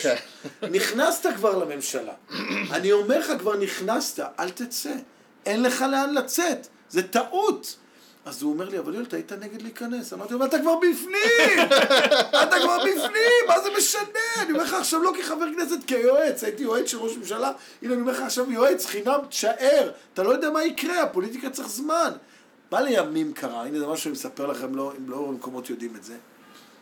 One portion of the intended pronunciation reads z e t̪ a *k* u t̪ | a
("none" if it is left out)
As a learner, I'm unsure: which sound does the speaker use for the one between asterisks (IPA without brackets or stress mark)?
ʔ